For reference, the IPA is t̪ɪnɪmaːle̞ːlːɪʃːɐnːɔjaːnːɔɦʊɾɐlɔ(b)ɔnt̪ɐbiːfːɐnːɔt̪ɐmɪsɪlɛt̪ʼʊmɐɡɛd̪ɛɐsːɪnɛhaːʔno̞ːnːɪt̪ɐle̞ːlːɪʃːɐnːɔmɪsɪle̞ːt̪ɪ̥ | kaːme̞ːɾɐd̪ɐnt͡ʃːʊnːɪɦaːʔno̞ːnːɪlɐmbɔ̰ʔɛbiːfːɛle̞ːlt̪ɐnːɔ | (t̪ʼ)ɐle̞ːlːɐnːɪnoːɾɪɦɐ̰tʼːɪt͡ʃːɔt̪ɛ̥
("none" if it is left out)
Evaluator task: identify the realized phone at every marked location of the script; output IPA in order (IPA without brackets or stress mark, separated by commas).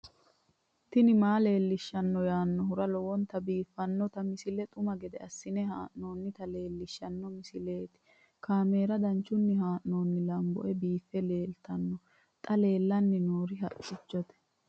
w, t̪ʼ